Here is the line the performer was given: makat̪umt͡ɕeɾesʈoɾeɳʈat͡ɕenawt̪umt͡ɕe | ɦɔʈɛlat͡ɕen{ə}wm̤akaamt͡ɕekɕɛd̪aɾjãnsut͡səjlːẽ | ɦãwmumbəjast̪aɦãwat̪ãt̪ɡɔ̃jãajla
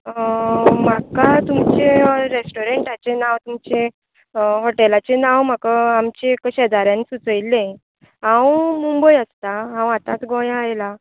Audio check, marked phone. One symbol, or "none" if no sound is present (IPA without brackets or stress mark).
a